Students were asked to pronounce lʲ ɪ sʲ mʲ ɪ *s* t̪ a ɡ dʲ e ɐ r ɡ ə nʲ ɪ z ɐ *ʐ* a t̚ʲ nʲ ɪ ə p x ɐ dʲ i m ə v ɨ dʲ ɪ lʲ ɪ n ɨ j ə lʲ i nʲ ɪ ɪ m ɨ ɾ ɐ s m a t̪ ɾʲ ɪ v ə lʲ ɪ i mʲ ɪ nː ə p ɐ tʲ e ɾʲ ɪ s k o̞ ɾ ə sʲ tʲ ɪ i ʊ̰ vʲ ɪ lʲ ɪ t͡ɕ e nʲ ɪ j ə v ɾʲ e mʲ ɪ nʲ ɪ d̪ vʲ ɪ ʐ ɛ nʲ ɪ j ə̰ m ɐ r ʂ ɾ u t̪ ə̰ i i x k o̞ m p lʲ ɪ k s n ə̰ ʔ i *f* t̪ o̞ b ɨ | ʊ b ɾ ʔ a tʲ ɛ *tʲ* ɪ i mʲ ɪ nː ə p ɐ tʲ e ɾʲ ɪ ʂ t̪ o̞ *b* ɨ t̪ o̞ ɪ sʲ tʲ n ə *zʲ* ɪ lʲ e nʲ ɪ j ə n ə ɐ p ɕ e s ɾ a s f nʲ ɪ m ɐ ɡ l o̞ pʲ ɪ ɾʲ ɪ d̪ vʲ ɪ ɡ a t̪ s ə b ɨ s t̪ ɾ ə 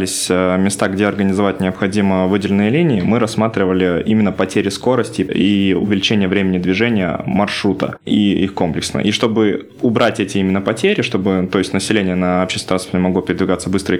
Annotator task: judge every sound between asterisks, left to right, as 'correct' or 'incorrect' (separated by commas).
correct, incorrect, incorrect, correct, correct, incorrect